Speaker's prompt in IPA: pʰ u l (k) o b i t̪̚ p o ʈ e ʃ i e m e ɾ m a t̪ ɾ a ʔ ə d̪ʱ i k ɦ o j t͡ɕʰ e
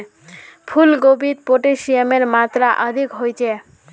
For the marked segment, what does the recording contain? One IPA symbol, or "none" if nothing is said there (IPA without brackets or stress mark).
ɡ